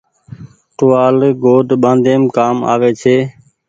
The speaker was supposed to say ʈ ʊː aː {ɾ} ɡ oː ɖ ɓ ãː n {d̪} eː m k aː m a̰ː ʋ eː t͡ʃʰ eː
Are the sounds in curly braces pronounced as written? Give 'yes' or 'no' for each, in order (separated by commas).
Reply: no, yes